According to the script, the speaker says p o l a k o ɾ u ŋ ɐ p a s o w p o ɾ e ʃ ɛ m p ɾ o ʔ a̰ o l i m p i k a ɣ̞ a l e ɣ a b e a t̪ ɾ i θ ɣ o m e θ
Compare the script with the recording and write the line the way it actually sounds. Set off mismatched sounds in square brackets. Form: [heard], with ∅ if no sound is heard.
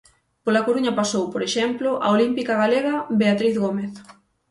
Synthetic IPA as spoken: p o l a k o ɾ u [ɲ] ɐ p a s o w p o ɾ e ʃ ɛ m p [l] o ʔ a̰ o l i m p i k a ɣ̞ a l e ɣ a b e a t̪ ɾ i θ ɣ o m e θ